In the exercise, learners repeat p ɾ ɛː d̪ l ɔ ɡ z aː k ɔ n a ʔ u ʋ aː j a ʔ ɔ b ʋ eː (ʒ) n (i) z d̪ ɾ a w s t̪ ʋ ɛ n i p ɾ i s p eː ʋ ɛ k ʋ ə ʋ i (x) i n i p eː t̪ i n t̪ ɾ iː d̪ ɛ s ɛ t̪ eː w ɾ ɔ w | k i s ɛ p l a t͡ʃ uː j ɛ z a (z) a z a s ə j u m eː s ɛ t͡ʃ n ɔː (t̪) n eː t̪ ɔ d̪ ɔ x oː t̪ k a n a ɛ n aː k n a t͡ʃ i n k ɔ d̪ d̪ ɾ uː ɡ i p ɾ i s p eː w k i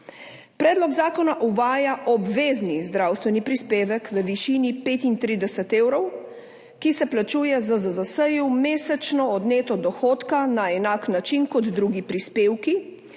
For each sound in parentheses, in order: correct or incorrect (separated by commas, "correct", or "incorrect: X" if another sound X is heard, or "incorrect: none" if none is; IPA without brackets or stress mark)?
incorrect: z, correct, incorrect: ʃ, correct, incorrect: d̪